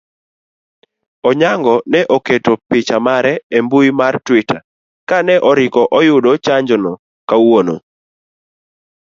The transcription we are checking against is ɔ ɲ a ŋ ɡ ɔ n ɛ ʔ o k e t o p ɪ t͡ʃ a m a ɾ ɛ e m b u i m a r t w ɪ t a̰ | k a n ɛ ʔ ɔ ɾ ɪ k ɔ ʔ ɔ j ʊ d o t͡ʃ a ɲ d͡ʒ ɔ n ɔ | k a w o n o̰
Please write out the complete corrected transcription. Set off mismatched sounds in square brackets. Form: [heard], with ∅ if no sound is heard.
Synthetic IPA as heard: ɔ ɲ a ŋ ɡ ɔ n ɛ ʔ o k e t o p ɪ t͡ʃ a m a ɾ ɛ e m b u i m a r t w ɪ t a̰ | k a n ɛ ʔ ɔ ɾ ɪ k ɔ ʔ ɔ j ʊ d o t͡ʃ a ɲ d͡ʒ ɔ n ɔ | k a w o n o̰

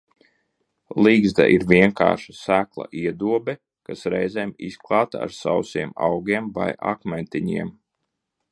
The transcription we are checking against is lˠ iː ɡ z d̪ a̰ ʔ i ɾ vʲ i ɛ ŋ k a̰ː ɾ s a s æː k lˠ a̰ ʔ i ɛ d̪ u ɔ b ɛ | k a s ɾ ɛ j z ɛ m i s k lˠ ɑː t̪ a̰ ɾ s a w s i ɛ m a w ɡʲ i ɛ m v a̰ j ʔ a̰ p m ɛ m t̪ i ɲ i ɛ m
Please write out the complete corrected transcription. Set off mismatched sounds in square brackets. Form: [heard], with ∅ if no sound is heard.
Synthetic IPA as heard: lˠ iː ɡ z d̪ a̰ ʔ i ɾ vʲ i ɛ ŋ k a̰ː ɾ [ʃ] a s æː k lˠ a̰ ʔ i ɛ d̪ u ɔ b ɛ | k a s ɾ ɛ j z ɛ m i s k lˠ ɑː t̪ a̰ ɾ s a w s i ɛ m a w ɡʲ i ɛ m v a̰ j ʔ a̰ [k] m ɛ [n] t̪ i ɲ i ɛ m

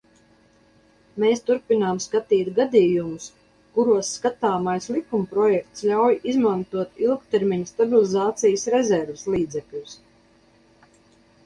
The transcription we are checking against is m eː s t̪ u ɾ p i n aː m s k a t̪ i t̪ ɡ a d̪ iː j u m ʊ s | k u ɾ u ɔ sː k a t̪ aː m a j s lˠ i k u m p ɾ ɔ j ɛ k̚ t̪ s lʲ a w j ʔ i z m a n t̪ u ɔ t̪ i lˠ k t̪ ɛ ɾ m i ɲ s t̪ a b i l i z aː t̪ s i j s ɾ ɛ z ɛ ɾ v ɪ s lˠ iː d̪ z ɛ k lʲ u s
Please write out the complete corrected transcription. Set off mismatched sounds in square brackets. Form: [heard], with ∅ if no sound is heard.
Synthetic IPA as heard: m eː s t̪ u ɾ p i n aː m s k a t̪ [iː] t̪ ɡ a d̪ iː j u m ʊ s | k u ɾ u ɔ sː k a t̪ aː m a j s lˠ i k u m p ɾ ɔ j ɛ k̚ t̪ s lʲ a w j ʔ i z m a n t̪ u ɔ t̪ i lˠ k t̪ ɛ ɾ m i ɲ s t̪ a b i l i z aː t̪ s i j s ɾ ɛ z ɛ ɾ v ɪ s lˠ iː d̪ z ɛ k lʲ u s

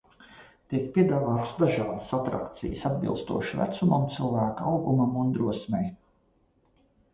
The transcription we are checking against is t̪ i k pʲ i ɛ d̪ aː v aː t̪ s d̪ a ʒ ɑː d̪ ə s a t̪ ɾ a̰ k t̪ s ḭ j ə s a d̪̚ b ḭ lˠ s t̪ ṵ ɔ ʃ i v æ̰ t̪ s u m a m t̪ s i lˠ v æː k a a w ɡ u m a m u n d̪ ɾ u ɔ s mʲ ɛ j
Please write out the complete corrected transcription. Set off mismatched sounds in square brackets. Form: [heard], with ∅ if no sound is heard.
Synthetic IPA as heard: t̪ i k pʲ i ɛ d̪ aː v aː t̪ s d̪ a ʒ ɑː d̪ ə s a t̪ ɾ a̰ k t̪ s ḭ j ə s a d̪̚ b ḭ lˠ s t̪ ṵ ɔ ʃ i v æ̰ t̪ s u m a m t̪ s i lˠ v æː k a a w ɡ u m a m u n d̪ ɾ u ɔ s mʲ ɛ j

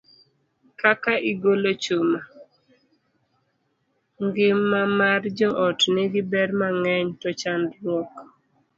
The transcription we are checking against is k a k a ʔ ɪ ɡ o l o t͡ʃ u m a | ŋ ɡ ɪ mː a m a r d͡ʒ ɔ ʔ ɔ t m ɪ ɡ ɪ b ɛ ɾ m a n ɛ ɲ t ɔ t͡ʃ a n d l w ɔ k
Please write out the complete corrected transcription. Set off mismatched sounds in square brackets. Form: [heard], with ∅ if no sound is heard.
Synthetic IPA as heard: k a k a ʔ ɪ ɡ o l o t͡ʃ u m a | ŋ ɡ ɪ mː a m a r d͡ʒ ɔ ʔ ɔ t [n] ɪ ɡ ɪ b ɛ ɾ m a [ŋ] ɛ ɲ t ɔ t͡ʃ a n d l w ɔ k

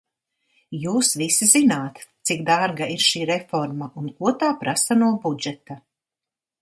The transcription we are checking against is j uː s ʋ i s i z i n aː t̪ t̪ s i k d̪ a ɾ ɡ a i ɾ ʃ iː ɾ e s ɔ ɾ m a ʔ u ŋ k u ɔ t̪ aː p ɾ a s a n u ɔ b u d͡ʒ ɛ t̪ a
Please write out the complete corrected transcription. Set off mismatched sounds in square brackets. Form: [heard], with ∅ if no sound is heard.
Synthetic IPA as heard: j uː s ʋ i s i z i n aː t̪ t̪ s i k d̪ a ɾ ɡ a i ɾ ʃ iː ɾ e [f] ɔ ɾ m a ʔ u [n] k u ɔ t̪ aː p ɾ a s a n u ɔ b u d͡ʒ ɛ t̪ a

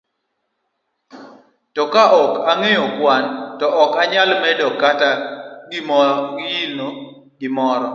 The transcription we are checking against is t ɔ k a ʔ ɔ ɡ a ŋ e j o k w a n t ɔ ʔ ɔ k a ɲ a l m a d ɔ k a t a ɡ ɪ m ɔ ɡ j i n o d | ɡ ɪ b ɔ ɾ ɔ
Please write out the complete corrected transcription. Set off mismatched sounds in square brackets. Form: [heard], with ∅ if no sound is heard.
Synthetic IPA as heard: t ɔ k a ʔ ɔ [k] a ŋ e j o k w a n t ɔ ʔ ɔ k a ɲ a l m [ɛ] d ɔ k a t a ɡ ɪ m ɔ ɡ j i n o [∅] | ɡ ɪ [m] ɔ ɾ ɔ

